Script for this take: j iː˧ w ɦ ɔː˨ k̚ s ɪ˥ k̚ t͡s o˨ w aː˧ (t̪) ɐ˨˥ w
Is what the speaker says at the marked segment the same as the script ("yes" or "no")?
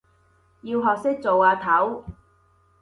no